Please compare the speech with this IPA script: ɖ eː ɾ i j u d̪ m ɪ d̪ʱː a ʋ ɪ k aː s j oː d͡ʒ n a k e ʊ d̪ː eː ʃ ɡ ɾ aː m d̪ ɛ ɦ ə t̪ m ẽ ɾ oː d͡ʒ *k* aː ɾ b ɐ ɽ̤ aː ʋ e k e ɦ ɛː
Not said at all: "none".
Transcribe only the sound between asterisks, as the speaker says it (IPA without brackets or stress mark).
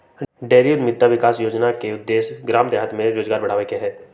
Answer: ɡ